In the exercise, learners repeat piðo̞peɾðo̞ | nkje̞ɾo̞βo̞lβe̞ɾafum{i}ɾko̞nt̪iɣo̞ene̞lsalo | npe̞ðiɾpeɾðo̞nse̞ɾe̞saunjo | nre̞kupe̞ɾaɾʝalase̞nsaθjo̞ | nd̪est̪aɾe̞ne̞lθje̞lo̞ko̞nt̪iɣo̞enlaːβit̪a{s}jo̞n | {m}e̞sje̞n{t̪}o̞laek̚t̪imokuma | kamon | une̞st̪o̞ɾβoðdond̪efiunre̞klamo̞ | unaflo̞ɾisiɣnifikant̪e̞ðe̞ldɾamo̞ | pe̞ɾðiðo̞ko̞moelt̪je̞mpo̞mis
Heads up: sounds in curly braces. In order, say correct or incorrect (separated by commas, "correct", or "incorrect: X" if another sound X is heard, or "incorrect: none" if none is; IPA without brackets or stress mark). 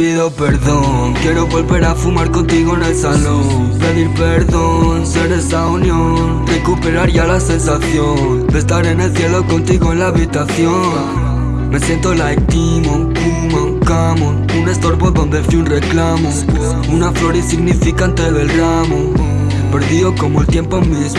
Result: incorrect: a, incorrect: θ, correct, correct